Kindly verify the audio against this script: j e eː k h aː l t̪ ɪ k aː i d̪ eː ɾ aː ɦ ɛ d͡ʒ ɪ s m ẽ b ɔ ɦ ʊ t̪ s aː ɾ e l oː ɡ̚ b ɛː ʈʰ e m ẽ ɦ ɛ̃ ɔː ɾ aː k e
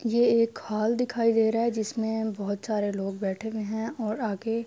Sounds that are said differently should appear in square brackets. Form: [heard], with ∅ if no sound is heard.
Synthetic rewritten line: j e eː k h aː l [d̪] ɪ [kʰ] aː i d̪ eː ɾ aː ɦ ɛ d͡ʒ ɪ s m ẽ b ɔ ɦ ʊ t̪ s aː ɾ e l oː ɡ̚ b ɛː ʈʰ e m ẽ ɦ ɛ̃ ɔː ɾ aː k e